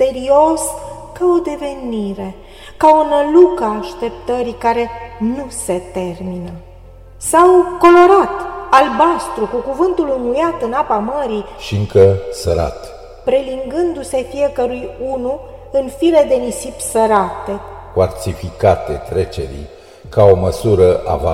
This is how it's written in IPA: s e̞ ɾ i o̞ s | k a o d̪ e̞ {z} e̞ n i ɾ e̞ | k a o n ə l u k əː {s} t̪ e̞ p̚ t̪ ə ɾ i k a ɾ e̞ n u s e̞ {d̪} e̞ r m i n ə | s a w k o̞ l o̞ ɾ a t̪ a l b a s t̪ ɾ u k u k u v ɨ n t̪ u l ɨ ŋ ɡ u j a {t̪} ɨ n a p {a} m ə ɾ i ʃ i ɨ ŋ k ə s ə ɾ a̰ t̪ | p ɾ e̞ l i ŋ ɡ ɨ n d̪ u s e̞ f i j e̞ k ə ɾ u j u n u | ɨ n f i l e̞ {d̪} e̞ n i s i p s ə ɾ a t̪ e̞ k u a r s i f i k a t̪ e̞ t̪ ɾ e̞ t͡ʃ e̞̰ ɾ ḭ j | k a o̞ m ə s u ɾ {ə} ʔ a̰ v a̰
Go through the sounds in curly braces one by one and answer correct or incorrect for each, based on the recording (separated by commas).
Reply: incorrect, incorrect, incorrect, correct, correct, correct, correct